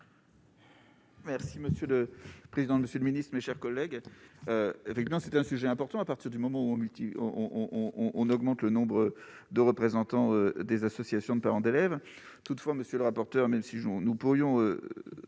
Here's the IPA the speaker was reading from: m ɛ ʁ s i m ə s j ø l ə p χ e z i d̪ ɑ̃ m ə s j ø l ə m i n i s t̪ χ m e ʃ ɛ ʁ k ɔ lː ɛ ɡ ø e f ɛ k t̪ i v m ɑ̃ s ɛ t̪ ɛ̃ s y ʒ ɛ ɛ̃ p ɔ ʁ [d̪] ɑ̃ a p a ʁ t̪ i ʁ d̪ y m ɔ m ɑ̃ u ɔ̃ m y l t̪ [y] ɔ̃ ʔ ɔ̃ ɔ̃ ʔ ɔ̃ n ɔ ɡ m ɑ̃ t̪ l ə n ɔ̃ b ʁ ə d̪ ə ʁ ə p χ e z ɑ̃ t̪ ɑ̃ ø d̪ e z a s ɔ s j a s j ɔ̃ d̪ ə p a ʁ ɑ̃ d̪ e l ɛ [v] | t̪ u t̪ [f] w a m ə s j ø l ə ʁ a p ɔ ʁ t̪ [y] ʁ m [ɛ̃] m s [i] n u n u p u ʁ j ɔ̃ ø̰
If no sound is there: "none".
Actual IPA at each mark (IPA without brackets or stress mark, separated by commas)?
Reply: t̪, i, v, f, œ, ɛ, i